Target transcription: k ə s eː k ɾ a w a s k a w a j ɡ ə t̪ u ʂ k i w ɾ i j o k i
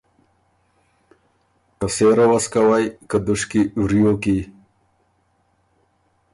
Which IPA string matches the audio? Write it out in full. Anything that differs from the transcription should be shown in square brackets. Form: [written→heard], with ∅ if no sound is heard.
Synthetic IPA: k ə s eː [k→∅] ɾ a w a s k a w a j [ɡ→k] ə [t̪→d̪] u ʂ k i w ɾ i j o k i